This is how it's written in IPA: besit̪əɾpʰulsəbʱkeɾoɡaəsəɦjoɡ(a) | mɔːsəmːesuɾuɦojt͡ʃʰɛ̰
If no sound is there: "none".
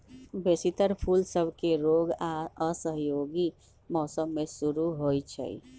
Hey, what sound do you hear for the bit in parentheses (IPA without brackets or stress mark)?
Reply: i